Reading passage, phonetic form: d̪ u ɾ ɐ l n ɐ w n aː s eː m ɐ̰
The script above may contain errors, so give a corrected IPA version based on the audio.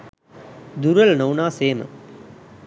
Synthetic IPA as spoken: d̪ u ɾ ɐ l n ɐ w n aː s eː m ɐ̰